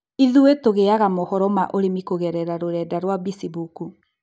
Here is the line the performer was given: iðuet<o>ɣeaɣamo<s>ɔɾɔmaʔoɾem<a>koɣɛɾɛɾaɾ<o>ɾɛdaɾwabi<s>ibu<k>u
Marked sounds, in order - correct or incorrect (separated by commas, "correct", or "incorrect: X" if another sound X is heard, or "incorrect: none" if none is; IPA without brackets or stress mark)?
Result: correct, incorrect: h, incorrect: i, correct, correct, correct